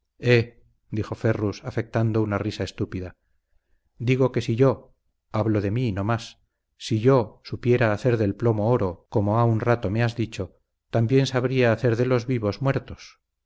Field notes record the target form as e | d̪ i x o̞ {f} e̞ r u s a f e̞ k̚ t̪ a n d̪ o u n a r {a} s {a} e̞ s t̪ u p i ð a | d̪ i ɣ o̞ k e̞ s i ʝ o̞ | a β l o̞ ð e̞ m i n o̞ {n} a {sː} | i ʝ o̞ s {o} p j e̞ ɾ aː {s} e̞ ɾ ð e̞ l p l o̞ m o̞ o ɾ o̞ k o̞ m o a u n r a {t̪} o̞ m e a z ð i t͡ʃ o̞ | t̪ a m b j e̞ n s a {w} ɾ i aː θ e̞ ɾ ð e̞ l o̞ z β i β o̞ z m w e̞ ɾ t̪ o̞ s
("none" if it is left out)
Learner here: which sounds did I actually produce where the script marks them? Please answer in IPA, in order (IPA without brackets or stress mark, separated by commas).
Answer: f, i, a, m, sː, u, θ, t̪, β